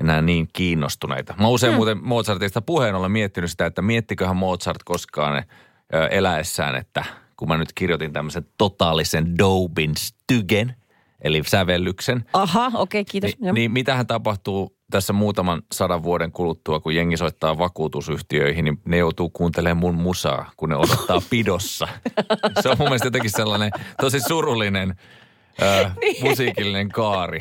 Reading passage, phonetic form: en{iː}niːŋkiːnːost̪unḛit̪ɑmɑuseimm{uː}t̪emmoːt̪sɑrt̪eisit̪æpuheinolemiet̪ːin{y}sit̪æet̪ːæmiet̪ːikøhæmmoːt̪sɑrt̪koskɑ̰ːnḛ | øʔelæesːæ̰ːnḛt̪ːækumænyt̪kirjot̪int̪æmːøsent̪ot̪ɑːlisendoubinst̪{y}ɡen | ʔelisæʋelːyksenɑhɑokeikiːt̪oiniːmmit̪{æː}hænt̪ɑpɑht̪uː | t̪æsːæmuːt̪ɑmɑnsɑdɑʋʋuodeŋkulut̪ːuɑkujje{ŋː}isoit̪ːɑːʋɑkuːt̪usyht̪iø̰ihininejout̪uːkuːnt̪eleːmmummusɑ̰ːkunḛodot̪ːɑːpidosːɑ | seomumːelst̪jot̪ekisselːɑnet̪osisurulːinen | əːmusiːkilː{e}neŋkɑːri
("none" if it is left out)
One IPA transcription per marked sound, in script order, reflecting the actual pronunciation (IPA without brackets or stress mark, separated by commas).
æː, uː, y, y, æ, ŋː, i